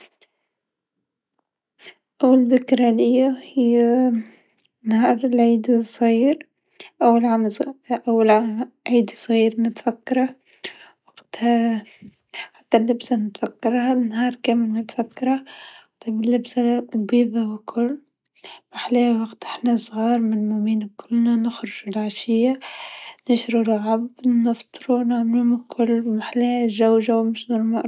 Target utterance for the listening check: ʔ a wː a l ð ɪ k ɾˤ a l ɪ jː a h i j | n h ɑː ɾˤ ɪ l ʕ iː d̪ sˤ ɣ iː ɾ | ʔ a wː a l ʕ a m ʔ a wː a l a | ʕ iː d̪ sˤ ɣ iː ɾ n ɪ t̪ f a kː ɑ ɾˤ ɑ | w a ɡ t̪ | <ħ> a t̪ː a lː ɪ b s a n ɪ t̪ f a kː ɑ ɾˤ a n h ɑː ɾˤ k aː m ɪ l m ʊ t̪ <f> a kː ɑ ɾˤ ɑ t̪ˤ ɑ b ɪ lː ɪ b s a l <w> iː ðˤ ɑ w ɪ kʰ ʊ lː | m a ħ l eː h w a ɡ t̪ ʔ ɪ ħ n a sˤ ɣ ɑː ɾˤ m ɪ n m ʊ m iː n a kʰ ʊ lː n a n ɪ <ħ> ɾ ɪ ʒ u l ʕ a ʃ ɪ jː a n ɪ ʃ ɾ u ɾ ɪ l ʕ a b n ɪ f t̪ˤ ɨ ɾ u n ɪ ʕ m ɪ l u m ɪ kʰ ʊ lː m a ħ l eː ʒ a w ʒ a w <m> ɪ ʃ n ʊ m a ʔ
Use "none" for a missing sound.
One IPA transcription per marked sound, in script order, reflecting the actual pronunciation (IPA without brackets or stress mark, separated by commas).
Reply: ħ, f, b, x, m